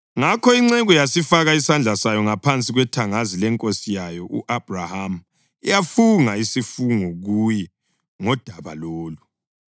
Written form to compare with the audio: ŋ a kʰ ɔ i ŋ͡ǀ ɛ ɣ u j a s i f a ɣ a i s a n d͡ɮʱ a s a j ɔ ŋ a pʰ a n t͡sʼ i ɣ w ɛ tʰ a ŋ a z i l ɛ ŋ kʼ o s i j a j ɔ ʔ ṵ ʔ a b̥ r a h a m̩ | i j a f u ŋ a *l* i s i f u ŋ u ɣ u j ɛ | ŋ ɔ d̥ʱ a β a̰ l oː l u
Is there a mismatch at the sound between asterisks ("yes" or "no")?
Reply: yes